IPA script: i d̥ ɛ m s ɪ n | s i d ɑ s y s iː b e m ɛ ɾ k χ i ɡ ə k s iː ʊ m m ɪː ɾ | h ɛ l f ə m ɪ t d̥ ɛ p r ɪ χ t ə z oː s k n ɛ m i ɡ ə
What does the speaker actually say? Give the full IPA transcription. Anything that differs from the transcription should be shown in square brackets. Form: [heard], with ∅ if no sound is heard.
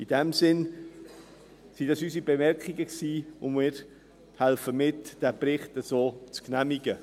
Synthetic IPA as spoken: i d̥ ɛ m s ɪ n | s i d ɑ s y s [i] b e m ɛ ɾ k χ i ɡ ə k s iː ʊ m m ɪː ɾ | h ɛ l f ə m ɪ t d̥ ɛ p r ɪ χ t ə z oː [t͡s] k n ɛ m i ɡ ə